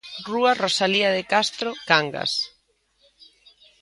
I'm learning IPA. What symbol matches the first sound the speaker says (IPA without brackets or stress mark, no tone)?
r